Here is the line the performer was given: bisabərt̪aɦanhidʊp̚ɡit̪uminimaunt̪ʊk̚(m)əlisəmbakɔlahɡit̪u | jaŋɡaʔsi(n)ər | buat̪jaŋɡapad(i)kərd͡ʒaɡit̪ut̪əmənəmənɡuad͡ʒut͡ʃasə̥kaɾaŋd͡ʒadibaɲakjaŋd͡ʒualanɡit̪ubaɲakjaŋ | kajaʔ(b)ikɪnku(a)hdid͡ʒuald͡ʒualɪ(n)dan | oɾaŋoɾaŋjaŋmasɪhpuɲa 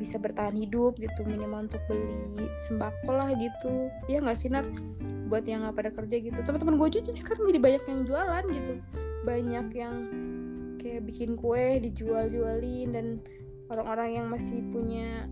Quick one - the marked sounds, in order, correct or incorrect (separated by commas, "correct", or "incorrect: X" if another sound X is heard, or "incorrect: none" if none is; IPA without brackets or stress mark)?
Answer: incorrect: b, correct, incorrect: a, correct, incorrect: ɛ, correct